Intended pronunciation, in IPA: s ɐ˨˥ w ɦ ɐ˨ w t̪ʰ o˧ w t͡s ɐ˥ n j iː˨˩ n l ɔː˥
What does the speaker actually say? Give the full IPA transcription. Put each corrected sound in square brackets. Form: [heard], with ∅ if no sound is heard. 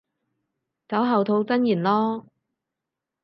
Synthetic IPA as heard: [t͡s] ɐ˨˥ w ɦ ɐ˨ w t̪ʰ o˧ w t͡s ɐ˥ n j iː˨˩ n l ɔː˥